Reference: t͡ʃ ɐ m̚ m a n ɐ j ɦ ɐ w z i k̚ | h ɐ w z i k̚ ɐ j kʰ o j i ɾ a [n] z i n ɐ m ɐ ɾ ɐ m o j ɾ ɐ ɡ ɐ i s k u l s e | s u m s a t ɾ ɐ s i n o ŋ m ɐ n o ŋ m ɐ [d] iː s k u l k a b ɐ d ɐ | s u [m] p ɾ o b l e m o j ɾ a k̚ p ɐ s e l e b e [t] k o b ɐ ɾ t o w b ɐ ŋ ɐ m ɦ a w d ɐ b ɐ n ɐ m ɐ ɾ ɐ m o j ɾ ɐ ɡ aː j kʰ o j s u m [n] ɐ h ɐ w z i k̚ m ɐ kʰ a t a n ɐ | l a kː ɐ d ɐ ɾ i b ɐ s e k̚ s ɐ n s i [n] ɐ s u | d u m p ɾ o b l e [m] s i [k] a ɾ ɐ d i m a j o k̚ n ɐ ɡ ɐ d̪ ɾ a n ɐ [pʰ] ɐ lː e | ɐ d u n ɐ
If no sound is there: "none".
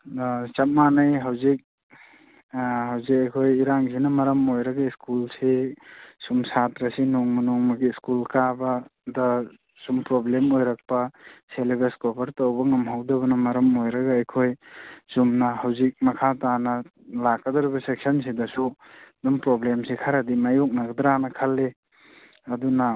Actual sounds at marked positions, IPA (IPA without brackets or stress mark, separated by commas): ŋ, ɡ, m, s, n, d, m, kʰ, kʰ